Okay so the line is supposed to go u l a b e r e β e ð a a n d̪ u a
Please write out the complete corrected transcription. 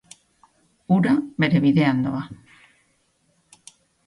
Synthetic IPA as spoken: u ɾ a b e ɾ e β i ð e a n d̪ o a